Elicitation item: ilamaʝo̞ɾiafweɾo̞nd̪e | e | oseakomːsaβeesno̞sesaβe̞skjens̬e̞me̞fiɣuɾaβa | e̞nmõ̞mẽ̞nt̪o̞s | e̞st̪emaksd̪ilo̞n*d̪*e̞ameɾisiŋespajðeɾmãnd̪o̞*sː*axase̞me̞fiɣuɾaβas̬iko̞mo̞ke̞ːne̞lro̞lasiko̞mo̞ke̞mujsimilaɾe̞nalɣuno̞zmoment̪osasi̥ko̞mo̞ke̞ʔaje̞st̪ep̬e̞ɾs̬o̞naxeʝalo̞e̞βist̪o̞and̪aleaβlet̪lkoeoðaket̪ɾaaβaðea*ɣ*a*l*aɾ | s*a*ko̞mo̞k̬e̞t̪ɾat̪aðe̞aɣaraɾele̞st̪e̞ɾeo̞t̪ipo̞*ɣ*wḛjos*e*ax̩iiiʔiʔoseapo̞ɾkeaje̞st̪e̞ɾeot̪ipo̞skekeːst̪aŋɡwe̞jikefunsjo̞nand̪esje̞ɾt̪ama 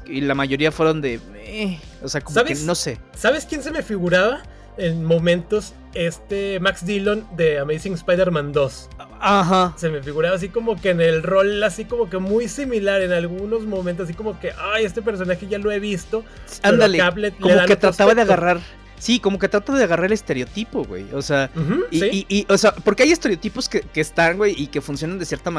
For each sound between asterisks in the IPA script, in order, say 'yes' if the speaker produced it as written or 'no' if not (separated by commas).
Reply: yes, no, yes, no, no, yes, yes